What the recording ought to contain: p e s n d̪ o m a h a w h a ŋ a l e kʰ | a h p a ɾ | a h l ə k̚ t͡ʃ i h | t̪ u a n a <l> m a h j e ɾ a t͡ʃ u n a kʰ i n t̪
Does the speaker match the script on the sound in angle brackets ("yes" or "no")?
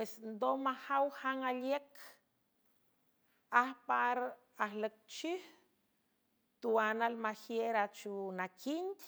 yes